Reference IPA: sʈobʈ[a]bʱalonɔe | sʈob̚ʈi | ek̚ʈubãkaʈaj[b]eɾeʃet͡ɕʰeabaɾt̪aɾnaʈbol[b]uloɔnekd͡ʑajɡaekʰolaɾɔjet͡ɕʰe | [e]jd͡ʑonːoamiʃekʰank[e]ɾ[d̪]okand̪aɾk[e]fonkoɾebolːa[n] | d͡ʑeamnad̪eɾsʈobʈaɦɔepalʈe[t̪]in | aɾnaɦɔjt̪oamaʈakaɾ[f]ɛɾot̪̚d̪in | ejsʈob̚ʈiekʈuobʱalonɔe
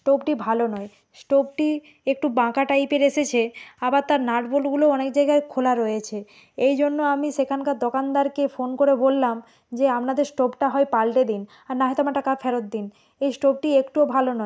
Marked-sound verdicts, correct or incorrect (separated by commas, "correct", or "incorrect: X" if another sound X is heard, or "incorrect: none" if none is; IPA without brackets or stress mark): incorrect: i, incorrect: p, incorrect: ɡ, correct, incorrect: a, correct, correct, incorrect: m, incorrect: d̪, correct